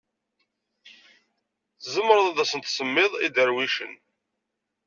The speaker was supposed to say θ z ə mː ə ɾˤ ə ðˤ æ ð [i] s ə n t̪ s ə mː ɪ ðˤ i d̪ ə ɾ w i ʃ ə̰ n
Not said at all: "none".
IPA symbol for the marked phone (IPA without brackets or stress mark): æ